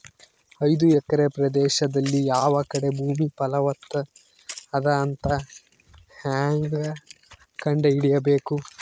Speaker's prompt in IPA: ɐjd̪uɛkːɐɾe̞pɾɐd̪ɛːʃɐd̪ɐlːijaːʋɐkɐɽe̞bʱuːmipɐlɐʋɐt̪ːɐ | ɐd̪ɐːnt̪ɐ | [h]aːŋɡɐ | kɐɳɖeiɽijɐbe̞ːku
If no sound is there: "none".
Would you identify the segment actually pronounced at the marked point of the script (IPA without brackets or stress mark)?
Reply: h